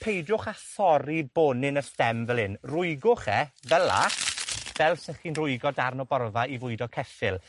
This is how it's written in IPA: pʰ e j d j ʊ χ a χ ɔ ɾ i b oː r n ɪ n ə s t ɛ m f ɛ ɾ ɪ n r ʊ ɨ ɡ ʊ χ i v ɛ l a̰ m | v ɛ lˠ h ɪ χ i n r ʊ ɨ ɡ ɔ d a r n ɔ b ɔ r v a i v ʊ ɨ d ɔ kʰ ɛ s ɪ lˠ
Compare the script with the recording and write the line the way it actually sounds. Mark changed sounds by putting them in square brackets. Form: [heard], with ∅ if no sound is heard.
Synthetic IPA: pʰ e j d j ʊ χ a [θ] ɔ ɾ i b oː [∅] n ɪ n ə s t ɛ m [v] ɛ [l] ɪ n r ʊ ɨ ɡ ʊ χ [ɛ] v ɛ l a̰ [∅] | v ɛ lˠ [s] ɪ χ i n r ʊ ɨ ɡ ɔ d a r n ɔ b ɔ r v a i v ʊ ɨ d ɔ kʰ ɛ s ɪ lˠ